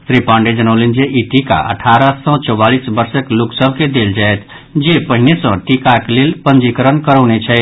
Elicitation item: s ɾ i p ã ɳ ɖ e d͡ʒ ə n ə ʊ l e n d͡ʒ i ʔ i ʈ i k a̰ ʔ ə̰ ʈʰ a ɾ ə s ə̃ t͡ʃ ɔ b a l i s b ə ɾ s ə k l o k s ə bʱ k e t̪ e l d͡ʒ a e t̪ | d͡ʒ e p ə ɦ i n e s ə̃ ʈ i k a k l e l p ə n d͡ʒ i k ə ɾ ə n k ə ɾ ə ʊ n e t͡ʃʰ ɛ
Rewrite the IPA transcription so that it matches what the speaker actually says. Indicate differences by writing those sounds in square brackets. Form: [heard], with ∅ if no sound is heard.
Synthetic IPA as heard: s ɾ i p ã ɳ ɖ e d͡ʒ ə n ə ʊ l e n d͡ʒ [e] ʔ i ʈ i k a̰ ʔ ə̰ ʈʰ a ɾ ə s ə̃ t͡ʃ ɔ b a l i s b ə ɾ s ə k l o k s ə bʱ k e [d̪] e l d͡ʒ a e t̪ | d͡ʒ e p ə ɦ i n e s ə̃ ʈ i k a k l e l p ə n d͡ʒ i k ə ɾ ə n k ə ɾ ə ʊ n e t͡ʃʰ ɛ

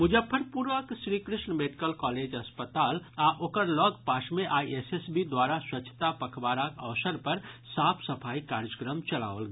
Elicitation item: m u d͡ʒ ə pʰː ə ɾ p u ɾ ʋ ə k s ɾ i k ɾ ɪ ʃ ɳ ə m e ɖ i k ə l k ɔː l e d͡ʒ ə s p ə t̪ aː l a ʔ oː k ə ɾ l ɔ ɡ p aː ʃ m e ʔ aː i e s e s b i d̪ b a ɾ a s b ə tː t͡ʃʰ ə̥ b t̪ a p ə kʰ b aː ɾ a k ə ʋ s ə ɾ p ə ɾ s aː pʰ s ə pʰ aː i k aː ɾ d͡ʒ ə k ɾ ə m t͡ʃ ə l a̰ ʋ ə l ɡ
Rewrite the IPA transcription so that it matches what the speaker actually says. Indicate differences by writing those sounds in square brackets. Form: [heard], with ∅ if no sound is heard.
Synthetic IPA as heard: m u d͡ʒ ə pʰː ə ɾ p u ɾ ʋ ə k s ɾ i k ɾ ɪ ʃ ɳ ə m e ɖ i k ə l k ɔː l e d͡ʒ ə s p ə t̪ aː l a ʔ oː k ə ɾ l ɔ ɡ p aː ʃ m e ʔ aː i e s e s b i d̪ [w] a ɾ a s [w] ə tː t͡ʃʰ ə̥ [∅] t̪ a p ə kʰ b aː ɾ a k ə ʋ s ə ɾ p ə ɾ s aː pʰ s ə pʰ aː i k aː ɾ d͡ʒ ə k ɾ ə m t͡ʃ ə l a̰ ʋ ə l ɡ

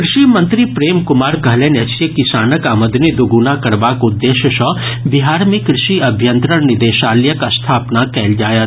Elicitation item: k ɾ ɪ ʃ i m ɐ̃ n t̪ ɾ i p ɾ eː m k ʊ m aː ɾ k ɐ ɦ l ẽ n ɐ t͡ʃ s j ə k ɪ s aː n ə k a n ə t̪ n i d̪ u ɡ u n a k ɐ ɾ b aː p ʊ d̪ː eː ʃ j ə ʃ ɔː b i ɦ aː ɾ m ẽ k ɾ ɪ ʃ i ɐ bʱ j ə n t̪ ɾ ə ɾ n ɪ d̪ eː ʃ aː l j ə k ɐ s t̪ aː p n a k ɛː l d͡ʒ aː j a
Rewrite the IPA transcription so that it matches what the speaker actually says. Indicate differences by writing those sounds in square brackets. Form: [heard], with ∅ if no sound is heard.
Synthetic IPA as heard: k ɾ ɪ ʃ i m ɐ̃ n t̪ ɾ i p ɾ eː m k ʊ m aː ɾ k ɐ ɦ l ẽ n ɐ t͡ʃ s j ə k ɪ s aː n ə k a [m] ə [d̪] n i d̪ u ɡ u n a k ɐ ɾ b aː [k] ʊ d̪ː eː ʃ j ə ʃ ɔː b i ɦ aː ɾ m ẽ k ɾ ɪ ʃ i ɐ bʱ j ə n t̪ ɾ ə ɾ n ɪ d̪ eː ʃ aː l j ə k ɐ s [t̪ʰ] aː p n a k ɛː l d͡ʒ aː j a

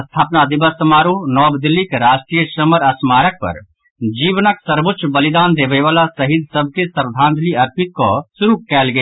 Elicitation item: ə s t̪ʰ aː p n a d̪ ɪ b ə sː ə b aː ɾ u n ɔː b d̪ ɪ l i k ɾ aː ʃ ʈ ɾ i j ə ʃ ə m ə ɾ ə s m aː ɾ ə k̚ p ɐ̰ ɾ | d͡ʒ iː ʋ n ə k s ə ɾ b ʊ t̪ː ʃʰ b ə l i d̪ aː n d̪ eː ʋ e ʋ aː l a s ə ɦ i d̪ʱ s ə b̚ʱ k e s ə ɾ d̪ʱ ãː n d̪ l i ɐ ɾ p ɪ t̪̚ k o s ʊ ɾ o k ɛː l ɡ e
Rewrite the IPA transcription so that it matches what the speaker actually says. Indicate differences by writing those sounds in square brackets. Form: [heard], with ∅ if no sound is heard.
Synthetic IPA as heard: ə s t̪ʰ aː p n a d̪ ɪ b ə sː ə [m] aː ɾ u n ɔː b d̪ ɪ l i k ɾ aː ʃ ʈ ɾ i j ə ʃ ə m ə ɾ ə s m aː ɾ ə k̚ p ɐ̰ ɾ | d͡ʒ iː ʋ n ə k s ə ɾ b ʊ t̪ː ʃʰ b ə l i d̪ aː n d̪ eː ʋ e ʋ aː l a s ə ɦ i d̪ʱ s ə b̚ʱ k e s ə ɾ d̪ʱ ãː n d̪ l i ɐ ɾ p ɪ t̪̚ k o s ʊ ɾ [u] k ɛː l ɡ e

